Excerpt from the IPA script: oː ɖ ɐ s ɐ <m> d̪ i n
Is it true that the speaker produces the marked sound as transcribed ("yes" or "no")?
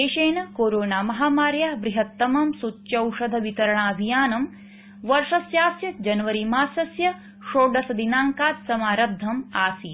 no